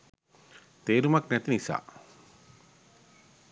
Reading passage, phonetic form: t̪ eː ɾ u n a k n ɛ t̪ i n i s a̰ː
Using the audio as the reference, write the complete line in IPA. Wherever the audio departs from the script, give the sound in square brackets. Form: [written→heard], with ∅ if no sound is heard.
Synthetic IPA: t̪ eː ɾ u [n→m] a k n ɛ t̪ i n i s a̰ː